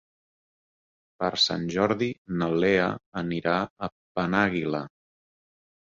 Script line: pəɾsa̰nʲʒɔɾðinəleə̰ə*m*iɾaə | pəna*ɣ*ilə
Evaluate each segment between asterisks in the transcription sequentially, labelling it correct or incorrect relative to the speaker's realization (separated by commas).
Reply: incorrect, correct